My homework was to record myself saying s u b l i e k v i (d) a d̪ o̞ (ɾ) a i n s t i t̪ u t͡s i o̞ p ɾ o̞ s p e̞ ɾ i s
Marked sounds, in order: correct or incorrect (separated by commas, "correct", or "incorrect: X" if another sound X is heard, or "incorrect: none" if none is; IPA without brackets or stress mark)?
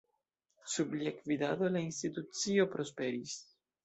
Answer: correct, incorrect: l